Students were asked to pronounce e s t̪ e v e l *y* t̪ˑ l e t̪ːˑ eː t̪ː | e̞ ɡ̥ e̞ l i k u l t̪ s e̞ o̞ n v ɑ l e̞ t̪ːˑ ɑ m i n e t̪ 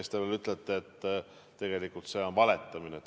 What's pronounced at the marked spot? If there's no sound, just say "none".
y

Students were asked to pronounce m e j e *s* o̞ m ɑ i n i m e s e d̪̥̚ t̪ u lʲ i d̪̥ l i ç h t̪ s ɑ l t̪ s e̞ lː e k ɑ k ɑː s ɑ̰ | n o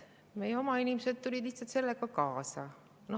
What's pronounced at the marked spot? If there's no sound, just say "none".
none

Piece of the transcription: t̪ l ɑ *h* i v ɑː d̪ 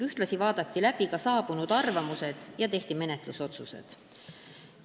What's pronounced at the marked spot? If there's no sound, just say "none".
s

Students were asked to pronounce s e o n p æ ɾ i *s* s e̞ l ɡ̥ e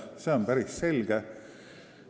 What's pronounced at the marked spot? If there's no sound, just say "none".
s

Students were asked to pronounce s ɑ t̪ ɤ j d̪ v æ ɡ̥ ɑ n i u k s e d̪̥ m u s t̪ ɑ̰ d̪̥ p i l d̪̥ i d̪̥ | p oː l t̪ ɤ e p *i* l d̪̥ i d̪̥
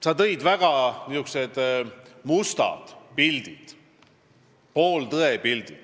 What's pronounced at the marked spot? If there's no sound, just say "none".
i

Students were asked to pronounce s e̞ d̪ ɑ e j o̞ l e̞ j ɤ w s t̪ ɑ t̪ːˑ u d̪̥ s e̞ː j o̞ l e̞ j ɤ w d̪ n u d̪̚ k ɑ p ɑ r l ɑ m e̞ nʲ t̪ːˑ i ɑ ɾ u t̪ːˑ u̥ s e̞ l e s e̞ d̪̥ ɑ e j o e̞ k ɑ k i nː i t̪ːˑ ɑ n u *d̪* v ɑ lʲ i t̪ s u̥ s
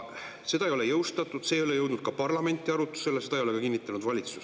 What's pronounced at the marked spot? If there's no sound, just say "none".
d̪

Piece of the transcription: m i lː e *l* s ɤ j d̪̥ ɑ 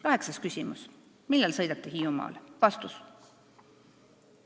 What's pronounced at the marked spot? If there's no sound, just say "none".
l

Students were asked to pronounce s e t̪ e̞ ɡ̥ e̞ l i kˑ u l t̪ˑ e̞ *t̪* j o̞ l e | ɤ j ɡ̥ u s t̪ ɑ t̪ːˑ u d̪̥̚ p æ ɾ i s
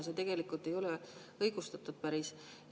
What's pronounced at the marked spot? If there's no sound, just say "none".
none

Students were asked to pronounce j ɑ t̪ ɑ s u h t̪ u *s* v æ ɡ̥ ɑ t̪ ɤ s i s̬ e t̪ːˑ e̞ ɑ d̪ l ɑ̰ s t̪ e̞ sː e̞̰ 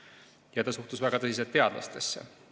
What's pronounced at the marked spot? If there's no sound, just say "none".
s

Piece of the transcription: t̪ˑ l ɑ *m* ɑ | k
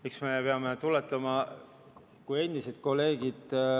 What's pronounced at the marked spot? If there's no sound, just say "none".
m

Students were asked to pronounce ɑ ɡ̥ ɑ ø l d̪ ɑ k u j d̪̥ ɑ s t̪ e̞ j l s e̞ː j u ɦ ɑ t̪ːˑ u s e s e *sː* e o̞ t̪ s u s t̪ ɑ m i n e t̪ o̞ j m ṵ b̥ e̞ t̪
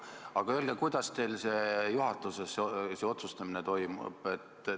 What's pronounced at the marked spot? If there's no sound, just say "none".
s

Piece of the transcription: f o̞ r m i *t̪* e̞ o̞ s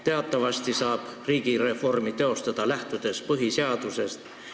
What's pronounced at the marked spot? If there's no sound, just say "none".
t̪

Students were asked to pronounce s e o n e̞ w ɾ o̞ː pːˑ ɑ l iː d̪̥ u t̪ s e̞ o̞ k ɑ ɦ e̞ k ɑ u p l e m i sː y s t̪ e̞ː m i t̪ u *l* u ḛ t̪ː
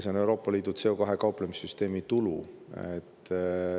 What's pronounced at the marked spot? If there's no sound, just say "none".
l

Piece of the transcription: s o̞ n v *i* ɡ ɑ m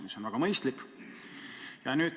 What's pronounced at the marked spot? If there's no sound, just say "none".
æ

